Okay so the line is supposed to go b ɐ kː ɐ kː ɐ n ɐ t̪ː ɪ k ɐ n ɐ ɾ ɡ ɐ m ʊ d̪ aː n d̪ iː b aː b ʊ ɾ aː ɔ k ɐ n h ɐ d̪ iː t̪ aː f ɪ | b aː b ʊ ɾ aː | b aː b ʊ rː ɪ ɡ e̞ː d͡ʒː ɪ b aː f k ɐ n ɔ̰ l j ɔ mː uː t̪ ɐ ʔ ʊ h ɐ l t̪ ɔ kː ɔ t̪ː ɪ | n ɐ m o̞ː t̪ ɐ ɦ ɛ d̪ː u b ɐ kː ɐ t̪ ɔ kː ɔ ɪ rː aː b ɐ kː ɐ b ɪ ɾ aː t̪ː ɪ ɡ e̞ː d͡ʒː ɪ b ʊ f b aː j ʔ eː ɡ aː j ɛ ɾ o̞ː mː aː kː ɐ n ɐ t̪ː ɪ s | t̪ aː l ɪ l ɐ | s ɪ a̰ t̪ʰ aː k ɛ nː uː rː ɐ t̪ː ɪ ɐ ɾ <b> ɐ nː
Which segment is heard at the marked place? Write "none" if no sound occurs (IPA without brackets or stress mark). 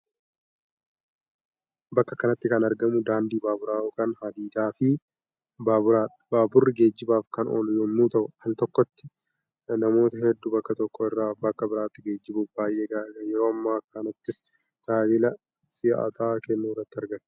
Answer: ɡ